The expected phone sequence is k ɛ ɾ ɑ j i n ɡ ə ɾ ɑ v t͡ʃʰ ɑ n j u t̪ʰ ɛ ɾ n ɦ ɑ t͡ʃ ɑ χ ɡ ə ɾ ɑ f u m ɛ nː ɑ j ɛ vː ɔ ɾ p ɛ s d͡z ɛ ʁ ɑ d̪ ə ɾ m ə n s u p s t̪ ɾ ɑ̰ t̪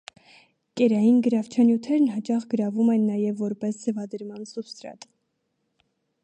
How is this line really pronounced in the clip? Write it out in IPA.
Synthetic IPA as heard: k ɛ ɾ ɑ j i n ɡ ə ɾ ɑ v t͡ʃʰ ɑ n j u t̪ʰ ɛ ɾ n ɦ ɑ t͡ʃ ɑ χ ɡ ə ɾ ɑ v u m ɛ nː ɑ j ɛ vː ɔ ɾ p ɛ s d͡z ɛ v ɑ d̪ ə ɾ m ɑ n s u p s t̪ ɾ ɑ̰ t̪